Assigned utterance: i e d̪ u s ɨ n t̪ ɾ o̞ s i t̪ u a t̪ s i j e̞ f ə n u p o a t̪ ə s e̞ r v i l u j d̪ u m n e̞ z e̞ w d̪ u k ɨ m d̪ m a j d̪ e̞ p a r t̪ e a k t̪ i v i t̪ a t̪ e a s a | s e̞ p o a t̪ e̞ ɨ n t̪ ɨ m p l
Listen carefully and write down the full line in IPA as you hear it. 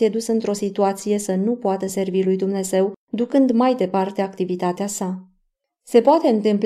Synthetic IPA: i e d̪ u s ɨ n t̪ ɾ o̞ s i t̪ u a t̪ s i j e̞ s ə n u p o a t̪ ə s e̞ r v i l u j d̪ u m n e̞ z e̞ w d̪ u k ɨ n d̪ m a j d̪ e̞ p a r t̪ e a k t̪ i v i t̪ a t̪ e a s a | s e̞ p o a t̪ e̞ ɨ n t̪ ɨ m p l